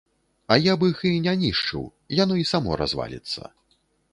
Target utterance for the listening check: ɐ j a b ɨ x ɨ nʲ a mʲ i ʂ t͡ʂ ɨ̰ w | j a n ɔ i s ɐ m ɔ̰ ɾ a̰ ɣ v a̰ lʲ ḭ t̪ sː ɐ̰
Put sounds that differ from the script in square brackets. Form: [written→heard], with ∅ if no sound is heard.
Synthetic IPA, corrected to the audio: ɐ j a b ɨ x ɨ nʲ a [mʲ→nʲ] i ʂ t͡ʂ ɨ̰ w | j a n ɔ i s [ɐ→a] m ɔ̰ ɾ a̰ [ɣ→z] v a̰ lʲ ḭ t̪ sː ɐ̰